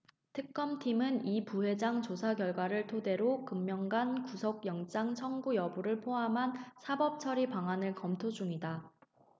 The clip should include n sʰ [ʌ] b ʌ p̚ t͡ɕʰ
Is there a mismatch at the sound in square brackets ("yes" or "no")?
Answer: yes